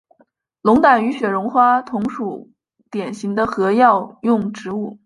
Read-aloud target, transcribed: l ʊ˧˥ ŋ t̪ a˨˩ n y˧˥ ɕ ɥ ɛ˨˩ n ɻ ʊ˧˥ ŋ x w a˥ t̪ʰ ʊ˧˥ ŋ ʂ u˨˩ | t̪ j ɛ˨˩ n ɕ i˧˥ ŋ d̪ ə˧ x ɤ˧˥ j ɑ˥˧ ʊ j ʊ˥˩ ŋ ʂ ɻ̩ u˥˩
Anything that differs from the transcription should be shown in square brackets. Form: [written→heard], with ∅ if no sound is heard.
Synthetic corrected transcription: l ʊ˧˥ ŋ t̪ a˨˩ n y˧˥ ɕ ɥ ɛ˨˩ [n→∅] ɻ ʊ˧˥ ŋ x w a˥ t̪ʰ ʊ˧˥ ŋ ʂ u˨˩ | t̪ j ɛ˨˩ n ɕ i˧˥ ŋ d̪ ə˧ x ɤ˧˥ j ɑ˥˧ ʊ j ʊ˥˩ ŋ [ʂ→ʈ͡ʂ] ɻ̩ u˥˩